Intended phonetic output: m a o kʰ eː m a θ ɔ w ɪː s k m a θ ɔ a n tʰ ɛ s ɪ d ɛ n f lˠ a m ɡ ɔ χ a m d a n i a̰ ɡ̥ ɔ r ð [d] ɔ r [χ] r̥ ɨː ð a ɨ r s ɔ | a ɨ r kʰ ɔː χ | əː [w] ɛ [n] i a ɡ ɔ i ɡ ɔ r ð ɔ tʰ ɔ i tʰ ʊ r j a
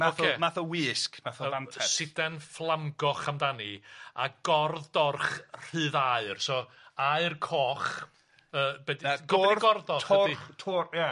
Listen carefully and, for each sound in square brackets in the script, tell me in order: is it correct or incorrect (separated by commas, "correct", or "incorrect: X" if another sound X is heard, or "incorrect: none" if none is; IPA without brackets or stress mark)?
correct, correct, incorrect: b, incorrect: d